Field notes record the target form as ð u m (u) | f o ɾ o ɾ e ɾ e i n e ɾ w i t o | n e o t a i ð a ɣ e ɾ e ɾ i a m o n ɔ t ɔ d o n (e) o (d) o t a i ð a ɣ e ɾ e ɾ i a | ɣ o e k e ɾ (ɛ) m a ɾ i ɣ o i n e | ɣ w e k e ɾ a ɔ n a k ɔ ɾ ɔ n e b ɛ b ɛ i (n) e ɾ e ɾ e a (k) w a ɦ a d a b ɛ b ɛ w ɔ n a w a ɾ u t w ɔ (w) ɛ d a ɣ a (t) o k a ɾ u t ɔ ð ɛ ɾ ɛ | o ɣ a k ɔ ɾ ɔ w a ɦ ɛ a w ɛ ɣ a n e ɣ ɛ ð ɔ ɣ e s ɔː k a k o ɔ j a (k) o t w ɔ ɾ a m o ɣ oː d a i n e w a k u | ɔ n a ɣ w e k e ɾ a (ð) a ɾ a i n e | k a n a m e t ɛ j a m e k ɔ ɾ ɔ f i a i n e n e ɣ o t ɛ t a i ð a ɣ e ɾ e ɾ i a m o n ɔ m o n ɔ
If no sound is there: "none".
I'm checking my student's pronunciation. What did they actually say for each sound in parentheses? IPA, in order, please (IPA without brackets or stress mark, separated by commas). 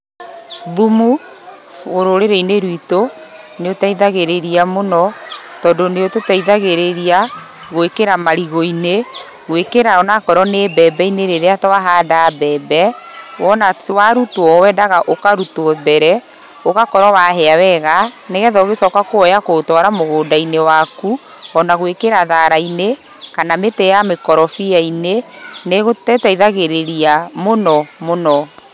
u, e, t, a, n, t, w, ʔ, k, ð